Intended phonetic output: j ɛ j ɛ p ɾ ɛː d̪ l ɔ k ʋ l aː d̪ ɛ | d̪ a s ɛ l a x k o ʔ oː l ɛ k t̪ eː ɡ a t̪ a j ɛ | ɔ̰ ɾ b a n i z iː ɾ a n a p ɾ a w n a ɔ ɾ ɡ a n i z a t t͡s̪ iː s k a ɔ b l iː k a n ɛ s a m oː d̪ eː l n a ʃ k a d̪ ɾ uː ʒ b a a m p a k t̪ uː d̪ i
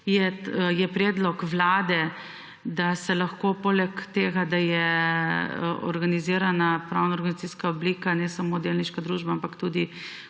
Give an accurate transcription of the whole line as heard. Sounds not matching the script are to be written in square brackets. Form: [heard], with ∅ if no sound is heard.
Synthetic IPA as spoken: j ɛ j ɛ p ɾ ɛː d̪ l ɔ k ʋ l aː d̪ ɛ | d̪ a s ɛ l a x k o [p] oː l ɛ k t̪ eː ɡ a [d̪] a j ɛ | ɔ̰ ɾ [ɡ] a n i z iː ɾ a n a p ɾ a w n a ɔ ɾ ɡ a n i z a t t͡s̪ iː s k a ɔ b l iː k a n ɛ s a m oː d̪ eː l n [i] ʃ k a d̪ ɾ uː ʒ b a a m p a k t̪ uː d̪ i